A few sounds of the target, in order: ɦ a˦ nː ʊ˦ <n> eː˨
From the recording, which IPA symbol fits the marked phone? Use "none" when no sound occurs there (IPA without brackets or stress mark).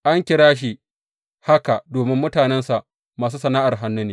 n